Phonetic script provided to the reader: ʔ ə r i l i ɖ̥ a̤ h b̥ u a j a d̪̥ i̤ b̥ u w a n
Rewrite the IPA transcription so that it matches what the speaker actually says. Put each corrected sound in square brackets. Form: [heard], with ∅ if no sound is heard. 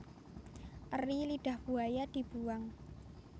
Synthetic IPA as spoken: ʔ ə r i l i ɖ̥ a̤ h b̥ u a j a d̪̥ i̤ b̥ u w a [ŋ]